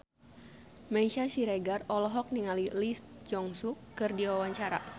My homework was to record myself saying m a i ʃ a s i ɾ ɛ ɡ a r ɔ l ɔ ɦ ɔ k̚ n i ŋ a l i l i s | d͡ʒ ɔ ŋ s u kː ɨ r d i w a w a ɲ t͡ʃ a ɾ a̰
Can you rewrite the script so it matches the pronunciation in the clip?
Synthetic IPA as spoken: m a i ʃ a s i ɾ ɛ ɡ a r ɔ l ɔ ɦ ɔ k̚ n i ŋ a l i l i s | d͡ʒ ɔ ŋ s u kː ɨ r d i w a w a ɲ t͡ʃ a ɾ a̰